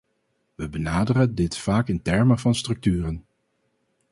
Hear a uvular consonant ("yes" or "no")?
no